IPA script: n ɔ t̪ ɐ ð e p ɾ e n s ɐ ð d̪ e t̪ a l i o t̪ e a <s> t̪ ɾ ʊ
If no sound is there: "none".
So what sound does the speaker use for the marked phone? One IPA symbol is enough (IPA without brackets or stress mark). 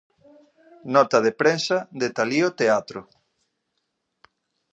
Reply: none